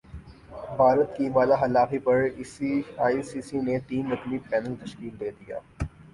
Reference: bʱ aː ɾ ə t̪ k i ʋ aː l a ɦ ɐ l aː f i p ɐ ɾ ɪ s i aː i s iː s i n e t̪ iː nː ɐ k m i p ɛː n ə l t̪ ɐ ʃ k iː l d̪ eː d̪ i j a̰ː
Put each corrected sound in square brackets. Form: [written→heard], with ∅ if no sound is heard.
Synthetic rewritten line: bʱ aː ɾ ə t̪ k i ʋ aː l a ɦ ɐ l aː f i p ɐ ɾ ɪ s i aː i s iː s i n e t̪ iː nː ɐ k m i p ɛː n ə l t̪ ɐ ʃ k iː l d̪ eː d̪ i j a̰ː